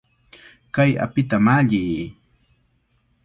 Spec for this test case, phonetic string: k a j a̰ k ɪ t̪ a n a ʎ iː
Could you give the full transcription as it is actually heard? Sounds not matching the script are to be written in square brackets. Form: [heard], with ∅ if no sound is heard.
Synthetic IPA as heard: k a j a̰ [p] ɪ t̪ a [m] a ʎ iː